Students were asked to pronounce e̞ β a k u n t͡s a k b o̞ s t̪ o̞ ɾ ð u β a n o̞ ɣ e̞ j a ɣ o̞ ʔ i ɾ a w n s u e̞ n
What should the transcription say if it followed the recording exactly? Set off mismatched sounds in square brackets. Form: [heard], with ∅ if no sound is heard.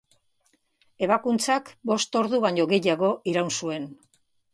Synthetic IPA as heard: e̞ β a k u n t͡s a k b o̞ s t̪ o̞ ɾ ð u β a [ɲ] o̞ ɣ e̞ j a ɣ o̞ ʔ i ɾ a w n s u e̞ n

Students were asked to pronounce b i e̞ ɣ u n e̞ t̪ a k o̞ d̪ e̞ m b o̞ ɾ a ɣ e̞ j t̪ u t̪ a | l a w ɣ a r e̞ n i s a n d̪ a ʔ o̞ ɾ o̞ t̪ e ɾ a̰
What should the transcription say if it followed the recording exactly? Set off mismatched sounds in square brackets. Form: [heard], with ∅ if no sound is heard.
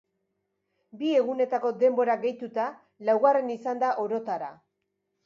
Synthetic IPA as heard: b i e̞ ɣ u n e̞ t̪ a k o̞ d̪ e̞ m b o̞ ɾ a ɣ e̞ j t̪ u t̪ a | l a w ɣ a r e̞ n i s a n d̪ a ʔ o̞ ɾ o̞ t̪ [a] ɾ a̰

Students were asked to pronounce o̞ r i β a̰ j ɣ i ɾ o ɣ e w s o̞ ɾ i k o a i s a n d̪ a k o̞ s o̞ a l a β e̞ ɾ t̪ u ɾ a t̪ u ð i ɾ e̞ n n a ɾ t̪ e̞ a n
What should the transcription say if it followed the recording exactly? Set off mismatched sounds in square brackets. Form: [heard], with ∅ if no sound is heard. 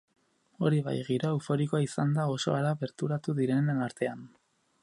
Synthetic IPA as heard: o̞ [ɾ] i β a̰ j ɣ i ɾ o [∅] e w [f] o̞ ɾ i k o a i s a n d̪ a [∅] o̞ s o̞ a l a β e̞ ɾ t̪ u ɾ a t̪ u ð i ɾ e̞ n n a ɾ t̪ e̞ a n

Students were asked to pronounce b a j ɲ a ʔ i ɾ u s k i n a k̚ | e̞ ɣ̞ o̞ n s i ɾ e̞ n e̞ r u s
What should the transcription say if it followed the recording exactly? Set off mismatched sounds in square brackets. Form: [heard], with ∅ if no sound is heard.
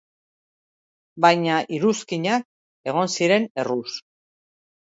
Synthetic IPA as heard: b a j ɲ a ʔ i ɾ u s k i [ɲ] a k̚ | e̞ ɣ̞ o̞ n s i ɾ e̞ n e̞ r u s

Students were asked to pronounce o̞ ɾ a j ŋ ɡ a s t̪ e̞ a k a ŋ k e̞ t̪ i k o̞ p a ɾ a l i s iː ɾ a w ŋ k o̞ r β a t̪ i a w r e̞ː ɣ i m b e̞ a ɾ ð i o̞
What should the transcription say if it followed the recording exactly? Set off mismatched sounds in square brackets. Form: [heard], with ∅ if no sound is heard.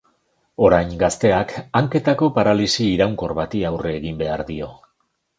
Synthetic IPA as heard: o̞ ɾ a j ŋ ɡ a s t̪ e̞ a k a ŋ k e̞ t̪ [a] k o̞ p a ɾ a l i s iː ɾ a w ŋ k o̞ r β a t̪ i a w r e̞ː ɣ i m b e̞ a ɾ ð i o̞

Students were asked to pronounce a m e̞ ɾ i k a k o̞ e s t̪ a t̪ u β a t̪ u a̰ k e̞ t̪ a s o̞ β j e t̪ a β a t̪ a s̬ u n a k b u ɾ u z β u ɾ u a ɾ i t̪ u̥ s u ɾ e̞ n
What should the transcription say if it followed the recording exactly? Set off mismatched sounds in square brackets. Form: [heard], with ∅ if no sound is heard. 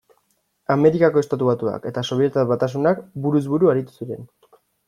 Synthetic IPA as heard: a m e̞ ɾ i k a k o̞ e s t̪ a t̪ u β a t̪ u a̰ k e̞ t̪ a s o̞ β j e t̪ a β a t̪ a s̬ u n a k b u ɾ u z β u ɾ u a ɾ i t̪ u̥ s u ɾ e̞ n

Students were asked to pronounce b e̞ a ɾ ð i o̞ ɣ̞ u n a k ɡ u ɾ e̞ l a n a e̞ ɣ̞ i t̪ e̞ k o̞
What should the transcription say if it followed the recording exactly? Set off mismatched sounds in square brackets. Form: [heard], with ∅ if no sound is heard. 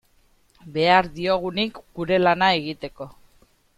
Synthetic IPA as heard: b e̞ a ɾ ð i o̞ ɣ̞ u n [i] k ɡ u ɾ e̞ l a n a e̞ ɣ̞ i t̪ e̞ k o̞

